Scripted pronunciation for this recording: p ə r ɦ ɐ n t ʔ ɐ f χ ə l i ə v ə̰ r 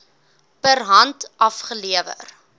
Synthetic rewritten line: p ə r ɦ ɐ n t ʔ ɐ f χ ə l i ə v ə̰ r